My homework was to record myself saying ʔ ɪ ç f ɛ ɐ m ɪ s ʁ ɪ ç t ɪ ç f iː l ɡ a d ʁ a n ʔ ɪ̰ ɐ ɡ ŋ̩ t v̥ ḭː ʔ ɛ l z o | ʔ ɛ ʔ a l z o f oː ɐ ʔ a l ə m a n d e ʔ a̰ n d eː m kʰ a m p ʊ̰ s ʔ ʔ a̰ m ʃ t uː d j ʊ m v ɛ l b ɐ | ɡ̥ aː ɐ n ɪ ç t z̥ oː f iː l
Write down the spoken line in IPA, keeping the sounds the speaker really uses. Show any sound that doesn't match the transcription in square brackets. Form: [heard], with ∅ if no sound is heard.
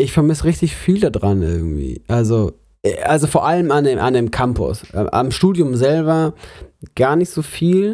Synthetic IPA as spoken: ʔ ɪ ç f ɛ ɐ m ɪ s ʁ ɪ ç t ɪ ç f iː l [d] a d ʁ a n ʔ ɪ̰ ɐ ɡ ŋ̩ t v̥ ḭː ʔ [a] l z o | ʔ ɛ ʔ a l z o f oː ɐ ʔ a l ə m a n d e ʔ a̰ n d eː m kʰ a m p ʊ̰ s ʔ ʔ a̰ m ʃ t uː d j ʊ m [z] ɛ l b ɐ | ɡ̥ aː ɐ n ɪ ç t z̥ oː f iː l